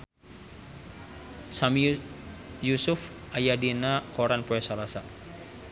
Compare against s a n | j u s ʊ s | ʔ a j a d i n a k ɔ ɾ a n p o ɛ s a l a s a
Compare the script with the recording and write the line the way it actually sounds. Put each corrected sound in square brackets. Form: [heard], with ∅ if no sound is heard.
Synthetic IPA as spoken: s a [m] | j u s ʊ [f] | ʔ a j a d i n a k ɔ ɾ a n p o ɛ s a l a s a